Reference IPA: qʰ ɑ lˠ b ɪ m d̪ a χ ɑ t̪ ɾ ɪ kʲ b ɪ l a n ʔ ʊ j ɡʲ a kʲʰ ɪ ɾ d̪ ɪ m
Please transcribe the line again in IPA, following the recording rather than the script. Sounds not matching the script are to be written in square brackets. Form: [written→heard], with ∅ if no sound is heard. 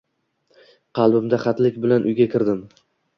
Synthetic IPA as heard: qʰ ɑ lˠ b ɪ m d̪ a χ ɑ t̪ [ɾ→l] ɪ kʲ b ɪ l a n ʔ ʊ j ɡʲ a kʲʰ ɪ ɾ d̪ ɪ m